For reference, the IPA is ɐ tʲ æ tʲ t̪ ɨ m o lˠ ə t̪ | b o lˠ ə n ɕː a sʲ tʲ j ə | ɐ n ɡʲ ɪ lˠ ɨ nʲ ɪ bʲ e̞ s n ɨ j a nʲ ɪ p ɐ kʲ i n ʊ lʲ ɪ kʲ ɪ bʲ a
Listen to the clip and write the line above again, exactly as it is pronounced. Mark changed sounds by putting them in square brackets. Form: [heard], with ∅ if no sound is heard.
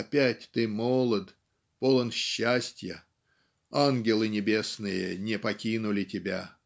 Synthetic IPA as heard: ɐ [pʲ] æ tʲ t̪ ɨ m o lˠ ə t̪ | [p] o lˠ ə n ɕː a sʲ tʲ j ə | [a] n ɡʲ ɪ lˠ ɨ nʲ ɪ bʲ e̞ s n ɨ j [ə] nʲ ɪ p ɐ kʲ i n ʊ lʲ ɪ [tʲ] ɪ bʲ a